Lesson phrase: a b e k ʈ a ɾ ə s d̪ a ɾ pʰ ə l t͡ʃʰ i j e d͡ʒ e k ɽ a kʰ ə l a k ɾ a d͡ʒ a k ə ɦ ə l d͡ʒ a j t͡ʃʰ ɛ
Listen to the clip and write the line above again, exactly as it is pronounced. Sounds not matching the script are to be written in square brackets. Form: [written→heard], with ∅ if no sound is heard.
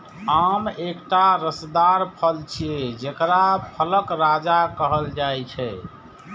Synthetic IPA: a [b→m] e k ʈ a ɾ ə s d̪ a ɾ pʰ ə l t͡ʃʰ i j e d͡ʒ e k [ɽ→ɾ] a [kʰ→pʰ] ə l [a→ə] k ɾ a d͡ʒ a k ə ɦ ə l d͡ʒ a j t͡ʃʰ ɛ